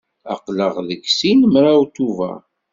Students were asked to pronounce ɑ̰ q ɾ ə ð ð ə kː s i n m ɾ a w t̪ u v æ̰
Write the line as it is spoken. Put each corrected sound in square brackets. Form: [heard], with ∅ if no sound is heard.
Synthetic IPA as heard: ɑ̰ q [l] ə [ʁ] ð ə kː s i n m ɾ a w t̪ u v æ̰